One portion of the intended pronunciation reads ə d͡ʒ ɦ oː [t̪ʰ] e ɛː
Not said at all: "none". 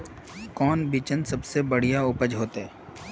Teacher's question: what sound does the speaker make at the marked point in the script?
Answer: t̪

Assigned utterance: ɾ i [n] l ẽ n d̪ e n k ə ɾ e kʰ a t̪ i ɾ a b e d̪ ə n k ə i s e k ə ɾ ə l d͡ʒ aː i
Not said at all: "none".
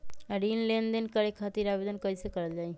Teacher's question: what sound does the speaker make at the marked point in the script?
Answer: n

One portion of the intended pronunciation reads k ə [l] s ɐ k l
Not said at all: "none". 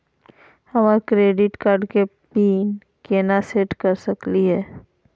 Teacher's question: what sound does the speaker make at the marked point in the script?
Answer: ɾ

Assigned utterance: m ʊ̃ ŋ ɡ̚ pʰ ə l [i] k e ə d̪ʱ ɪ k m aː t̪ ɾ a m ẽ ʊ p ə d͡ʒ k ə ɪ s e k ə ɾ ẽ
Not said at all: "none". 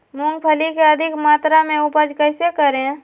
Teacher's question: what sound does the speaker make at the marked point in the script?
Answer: i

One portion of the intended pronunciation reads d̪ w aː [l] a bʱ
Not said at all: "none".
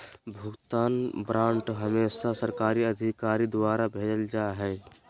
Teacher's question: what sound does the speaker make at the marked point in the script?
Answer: ɾ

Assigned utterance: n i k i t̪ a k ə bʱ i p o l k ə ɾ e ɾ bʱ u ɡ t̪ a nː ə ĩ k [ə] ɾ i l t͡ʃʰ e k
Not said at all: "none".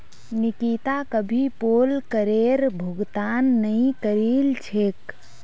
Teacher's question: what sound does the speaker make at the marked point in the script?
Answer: ə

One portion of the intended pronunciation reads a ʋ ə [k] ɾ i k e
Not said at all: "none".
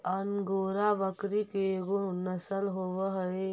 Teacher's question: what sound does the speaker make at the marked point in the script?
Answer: k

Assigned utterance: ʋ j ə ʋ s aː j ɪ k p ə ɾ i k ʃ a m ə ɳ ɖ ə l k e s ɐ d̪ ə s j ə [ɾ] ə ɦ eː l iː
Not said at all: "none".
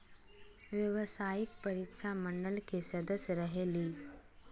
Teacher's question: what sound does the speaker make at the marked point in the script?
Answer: ɾ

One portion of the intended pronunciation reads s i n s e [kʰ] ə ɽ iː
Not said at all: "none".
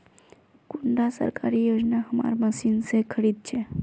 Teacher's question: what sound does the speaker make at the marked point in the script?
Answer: kʰ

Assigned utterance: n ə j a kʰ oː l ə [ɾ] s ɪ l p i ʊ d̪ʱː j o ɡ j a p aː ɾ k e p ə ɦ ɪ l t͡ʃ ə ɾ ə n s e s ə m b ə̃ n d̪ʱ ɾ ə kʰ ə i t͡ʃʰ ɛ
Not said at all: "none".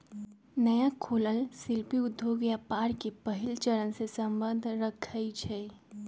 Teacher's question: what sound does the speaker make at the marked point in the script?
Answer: l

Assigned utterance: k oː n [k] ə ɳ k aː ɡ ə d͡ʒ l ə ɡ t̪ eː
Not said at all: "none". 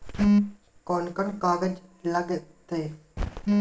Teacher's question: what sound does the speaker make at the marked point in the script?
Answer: k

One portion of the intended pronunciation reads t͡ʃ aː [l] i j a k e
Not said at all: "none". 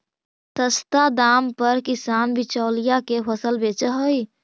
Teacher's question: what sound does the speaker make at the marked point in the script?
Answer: l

